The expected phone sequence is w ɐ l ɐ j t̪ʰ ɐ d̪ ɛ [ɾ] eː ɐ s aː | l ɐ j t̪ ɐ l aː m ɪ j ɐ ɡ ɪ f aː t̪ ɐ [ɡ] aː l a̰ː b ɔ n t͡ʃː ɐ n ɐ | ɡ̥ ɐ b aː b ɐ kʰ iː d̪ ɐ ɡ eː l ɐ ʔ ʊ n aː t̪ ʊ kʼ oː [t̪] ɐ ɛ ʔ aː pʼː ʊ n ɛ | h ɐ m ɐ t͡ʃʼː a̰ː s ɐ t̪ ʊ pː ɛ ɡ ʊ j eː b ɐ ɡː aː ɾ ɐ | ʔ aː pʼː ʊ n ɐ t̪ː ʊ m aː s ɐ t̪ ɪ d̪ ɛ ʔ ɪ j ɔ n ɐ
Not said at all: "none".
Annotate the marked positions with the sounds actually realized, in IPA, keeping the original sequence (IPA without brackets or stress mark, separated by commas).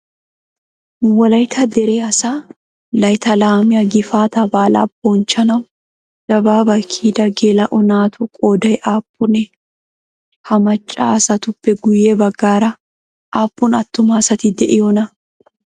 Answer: ɾ, b, d̪